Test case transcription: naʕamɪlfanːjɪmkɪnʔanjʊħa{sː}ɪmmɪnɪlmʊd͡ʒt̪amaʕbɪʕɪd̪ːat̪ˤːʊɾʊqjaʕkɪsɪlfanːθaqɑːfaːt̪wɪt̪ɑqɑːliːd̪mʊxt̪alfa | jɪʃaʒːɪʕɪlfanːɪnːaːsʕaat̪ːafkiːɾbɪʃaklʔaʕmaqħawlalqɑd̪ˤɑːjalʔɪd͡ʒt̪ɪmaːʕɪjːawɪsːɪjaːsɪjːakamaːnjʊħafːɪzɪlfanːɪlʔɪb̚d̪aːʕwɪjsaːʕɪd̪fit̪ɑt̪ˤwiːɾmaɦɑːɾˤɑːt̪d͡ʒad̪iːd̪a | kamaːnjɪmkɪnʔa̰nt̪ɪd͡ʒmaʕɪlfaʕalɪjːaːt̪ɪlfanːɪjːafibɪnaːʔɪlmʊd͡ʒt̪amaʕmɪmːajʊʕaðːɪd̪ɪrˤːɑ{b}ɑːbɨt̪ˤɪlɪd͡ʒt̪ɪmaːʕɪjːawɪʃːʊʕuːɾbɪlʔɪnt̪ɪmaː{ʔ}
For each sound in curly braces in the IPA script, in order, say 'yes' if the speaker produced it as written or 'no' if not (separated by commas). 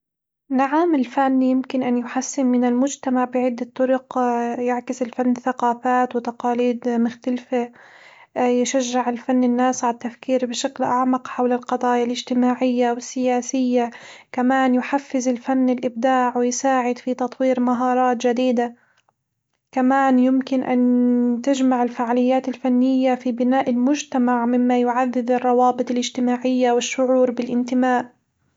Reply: yes, no, yes